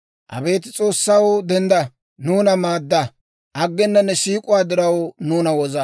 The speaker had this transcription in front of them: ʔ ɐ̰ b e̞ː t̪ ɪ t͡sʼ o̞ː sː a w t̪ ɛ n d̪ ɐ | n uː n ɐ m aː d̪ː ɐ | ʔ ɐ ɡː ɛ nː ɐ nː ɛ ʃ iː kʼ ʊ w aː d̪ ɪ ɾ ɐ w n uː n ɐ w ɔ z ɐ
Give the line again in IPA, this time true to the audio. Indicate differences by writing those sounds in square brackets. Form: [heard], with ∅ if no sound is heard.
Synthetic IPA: ʔ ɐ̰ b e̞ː t̪ ɪ t͡sʼ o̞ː sː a w [d̪] ɛ n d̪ ɐ | n uː n ɐ m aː d̪ː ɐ | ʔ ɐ ɡː ɛ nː ɐ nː ɛ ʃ iː kʼ ʊ w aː d̪ ɪ ɾ ɐ w n uː n ɐ w ɔ z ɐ